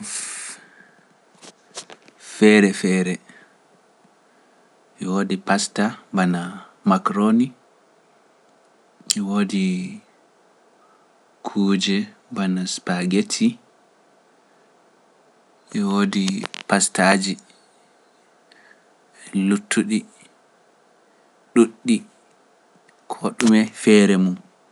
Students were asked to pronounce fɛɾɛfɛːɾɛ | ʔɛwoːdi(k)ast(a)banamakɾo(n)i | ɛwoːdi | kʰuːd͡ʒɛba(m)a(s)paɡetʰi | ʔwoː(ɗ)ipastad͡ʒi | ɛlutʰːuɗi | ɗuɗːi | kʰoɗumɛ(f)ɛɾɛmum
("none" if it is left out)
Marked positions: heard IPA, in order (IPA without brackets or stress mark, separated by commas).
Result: p, a, n, n, s, d, f